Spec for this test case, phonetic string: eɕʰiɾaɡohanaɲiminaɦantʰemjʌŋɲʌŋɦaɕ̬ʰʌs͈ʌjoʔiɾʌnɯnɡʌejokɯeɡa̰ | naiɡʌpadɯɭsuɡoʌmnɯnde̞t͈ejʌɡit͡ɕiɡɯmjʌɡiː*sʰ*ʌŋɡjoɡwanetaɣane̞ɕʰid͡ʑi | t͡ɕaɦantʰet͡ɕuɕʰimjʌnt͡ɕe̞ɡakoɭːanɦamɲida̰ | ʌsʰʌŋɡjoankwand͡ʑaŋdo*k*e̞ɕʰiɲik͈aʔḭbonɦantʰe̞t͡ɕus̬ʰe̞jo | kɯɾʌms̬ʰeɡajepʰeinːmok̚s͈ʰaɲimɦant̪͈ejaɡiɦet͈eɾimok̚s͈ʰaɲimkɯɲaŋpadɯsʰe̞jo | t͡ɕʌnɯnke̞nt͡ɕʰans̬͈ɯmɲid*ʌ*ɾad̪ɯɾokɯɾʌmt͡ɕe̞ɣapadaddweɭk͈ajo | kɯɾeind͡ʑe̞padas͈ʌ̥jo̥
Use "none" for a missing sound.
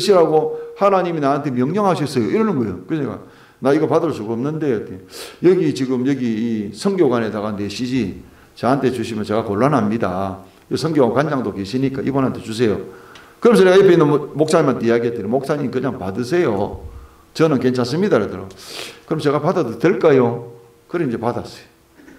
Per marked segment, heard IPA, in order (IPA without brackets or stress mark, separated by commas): sʰ, k, a